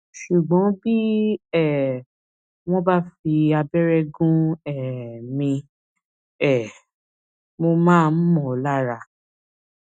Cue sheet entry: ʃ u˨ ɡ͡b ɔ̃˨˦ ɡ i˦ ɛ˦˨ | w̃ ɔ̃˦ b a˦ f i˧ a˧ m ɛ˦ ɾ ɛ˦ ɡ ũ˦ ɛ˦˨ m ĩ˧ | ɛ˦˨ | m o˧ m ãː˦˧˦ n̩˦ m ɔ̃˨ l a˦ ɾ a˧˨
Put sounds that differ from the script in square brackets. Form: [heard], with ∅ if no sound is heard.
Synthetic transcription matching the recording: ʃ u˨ ɡ͡b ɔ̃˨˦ [b] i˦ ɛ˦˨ | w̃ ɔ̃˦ b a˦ f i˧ a˧ [b] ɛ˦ ɾ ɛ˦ ɡ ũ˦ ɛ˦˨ m ĩ˧ | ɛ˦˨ | m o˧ m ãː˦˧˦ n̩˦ m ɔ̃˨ l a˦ ɾ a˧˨